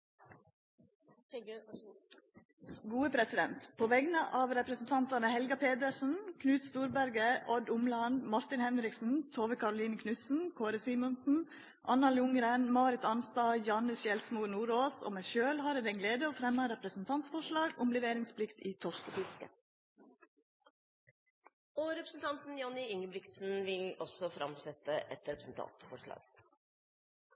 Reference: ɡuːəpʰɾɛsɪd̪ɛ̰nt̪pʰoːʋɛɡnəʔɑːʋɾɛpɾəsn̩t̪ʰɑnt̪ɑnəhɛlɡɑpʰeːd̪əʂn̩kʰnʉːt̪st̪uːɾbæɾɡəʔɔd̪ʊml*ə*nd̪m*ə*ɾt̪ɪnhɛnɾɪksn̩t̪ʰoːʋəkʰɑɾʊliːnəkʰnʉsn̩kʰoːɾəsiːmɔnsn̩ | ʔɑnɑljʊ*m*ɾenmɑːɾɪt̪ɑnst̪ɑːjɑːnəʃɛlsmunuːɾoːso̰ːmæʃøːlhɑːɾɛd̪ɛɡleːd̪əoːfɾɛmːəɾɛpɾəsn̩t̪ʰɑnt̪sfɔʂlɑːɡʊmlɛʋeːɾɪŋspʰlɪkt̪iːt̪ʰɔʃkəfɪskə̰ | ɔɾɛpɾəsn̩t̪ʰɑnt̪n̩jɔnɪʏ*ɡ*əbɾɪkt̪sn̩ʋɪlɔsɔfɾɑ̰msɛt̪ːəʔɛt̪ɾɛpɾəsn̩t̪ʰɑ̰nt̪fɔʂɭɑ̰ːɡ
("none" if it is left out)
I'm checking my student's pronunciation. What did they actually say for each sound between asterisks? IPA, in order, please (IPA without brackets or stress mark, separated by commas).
ɑ, ɑ, ŋ, ŋ